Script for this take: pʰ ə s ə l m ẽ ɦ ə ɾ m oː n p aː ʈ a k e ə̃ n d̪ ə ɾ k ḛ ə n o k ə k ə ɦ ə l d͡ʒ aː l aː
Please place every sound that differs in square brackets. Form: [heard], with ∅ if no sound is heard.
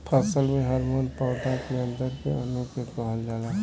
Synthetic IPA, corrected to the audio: pʰ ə s ə l m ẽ ɦ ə ɾ m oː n p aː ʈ a k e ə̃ n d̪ ə ɾ k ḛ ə n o k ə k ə ɦ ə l d͡ʒ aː l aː